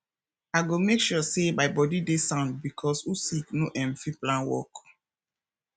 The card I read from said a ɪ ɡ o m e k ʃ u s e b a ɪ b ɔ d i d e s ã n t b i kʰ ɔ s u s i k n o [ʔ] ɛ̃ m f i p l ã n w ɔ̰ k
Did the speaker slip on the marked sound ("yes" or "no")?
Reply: no